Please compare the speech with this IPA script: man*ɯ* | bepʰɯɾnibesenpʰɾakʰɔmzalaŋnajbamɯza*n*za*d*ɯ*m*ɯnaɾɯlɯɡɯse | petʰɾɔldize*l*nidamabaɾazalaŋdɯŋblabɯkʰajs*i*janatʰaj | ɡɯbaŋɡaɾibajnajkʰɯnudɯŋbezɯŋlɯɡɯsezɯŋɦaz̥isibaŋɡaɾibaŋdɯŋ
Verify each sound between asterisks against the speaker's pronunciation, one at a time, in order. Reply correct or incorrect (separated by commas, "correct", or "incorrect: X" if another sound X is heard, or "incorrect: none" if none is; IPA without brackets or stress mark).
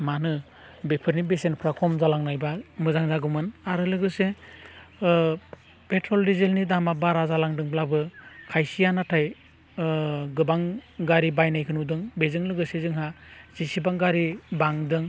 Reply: correct, incorrect: ŋ, incorrect: ɡ, correct, correct, correct